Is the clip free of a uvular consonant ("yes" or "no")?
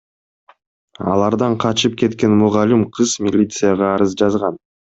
no